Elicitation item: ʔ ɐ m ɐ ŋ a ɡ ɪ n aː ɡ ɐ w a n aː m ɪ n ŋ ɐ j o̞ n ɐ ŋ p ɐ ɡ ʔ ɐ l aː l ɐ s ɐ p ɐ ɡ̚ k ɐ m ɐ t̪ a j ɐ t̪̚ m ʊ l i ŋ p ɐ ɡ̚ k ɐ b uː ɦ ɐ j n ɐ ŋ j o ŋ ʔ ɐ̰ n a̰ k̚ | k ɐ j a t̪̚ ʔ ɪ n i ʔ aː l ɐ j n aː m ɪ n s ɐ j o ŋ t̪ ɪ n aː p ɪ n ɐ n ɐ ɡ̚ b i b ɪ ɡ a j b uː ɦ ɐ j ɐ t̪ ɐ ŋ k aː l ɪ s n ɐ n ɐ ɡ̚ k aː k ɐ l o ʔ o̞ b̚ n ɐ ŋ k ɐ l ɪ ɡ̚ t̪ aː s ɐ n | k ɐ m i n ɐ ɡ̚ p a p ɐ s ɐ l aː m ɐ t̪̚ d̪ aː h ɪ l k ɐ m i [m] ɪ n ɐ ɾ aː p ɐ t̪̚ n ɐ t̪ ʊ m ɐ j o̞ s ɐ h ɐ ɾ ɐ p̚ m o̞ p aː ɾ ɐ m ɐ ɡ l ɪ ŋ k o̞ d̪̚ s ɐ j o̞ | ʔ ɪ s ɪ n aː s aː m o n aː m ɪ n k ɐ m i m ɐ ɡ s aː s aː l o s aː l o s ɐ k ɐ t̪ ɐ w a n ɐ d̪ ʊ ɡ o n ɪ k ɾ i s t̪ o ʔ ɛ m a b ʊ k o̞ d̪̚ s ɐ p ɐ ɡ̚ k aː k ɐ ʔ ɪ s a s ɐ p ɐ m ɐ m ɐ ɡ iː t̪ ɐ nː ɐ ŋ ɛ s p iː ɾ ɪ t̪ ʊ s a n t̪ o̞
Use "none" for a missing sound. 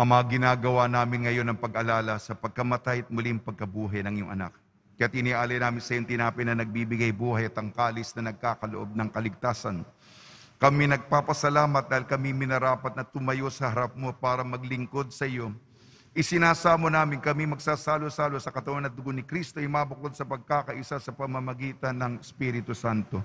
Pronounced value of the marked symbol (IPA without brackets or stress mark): m